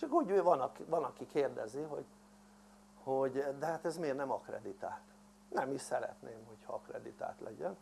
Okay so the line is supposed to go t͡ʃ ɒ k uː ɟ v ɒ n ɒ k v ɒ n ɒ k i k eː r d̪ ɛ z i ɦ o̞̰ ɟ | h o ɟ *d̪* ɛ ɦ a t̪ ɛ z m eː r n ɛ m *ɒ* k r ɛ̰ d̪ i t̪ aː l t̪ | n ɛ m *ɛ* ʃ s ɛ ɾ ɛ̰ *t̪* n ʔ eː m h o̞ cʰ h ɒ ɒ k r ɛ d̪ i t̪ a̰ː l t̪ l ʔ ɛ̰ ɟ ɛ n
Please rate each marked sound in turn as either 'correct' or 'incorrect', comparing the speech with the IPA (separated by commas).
correct, correct, incorrect, correct